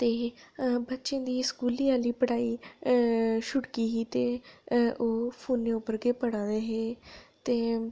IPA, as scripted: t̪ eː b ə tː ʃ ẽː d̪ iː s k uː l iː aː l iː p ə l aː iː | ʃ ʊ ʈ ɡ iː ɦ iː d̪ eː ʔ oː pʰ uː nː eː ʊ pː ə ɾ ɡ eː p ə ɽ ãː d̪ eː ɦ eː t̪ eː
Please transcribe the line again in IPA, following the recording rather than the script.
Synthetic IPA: t̪ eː b ə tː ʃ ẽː d̪ iː s k uː l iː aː l iː p ə ɽ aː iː | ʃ ʊ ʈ k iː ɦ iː t̪ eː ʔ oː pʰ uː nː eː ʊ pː ə ɾ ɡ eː p ə ɽ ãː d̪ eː ɦ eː t̪ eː